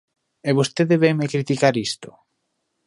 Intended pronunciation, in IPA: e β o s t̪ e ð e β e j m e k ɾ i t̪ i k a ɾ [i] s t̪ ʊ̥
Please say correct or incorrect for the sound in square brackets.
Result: correct